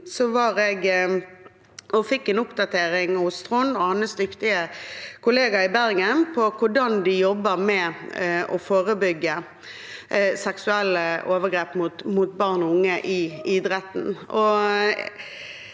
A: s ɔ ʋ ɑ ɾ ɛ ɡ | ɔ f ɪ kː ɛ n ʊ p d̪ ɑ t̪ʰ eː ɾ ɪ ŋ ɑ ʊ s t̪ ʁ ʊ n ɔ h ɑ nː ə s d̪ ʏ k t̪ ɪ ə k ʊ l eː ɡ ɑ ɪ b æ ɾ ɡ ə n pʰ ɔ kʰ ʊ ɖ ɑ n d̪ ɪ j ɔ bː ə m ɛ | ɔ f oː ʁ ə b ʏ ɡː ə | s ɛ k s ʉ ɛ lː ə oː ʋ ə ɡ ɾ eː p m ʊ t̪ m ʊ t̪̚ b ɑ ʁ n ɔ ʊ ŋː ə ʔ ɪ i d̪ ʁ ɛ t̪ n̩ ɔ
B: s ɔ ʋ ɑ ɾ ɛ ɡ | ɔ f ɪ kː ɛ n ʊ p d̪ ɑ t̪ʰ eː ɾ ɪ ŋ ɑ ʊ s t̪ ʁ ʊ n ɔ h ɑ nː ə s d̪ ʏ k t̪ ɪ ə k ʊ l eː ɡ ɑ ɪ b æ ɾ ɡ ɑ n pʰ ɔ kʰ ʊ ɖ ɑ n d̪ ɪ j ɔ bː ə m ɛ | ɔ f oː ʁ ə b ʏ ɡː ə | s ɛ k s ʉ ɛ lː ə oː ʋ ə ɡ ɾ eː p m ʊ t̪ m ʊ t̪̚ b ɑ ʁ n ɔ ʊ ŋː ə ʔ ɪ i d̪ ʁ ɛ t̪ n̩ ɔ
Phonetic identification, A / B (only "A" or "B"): A